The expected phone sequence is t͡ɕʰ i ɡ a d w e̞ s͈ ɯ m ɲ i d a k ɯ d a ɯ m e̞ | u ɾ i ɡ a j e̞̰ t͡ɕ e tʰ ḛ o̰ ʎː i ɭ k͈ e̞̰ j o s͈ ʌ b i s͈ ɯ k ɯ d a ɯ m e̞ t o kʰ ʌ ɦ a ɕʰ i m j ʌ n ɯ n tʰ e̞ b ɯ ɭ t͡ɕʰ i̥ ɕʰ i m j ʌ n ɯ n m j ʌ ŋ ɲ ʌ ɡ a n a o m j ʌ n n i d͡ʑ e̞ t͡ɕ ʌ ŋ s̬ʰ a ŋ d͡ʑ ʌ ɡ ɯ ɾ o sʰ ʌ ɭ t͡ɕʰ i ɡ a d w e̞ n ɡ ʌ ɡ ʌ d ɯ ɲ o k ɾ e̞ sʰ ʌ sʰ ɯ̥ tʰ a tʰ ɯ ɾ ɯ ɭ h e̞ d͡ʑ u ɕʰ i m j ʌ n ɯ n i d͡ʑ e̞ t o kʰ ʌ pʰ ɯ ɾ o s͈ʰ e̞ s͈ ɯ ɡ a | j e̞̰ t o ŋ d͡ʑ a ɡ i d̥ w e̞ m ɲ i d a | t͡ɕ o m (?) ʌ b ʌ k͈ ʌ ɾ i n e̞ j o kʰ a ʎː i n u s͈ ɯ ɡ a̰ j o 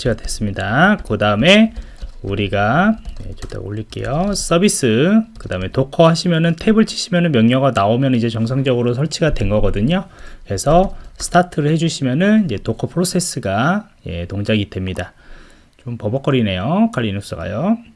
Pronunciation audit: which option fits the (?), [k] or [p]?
p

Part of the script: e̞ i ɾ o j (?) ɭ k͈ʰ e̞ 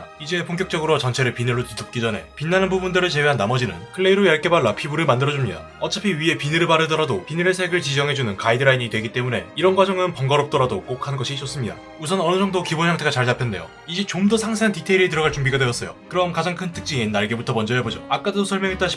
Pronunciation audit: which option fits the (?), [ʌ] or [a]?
a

